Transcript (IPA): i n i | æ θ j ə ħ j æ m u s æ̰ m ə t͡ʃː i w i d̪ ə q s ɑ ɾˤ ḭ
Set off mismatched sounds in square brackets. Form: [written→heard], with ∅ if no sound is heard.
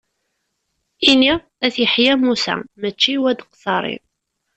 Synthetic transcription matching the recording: i n i | æ θ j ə ħ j æ m u s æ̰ m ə t͡ʃː i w [i→æ] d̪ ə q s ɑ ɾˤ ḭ